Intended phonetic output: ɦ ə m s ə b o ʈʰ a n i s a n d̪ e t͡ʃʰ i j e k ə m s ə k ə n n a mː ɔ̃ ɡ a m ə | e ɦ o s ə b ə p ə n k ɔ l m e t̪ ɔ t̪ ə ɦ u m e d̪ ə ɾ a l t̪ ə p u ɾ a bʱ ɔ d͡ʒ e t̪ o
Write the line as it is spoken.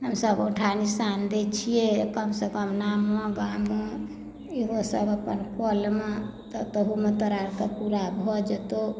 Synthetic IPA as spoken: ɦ ə m s ə b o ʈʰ a n i s a n d̪ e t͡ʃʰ i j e k ə m s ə k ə m n a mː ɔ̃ ɡ a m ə | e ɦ o s ə b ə p ə n k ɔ l m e t̪ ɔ t̪ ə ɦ u m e t̪ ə ɾ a ɾ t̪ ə p u ɾ a bʱ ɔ d͡ʒ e t̪ o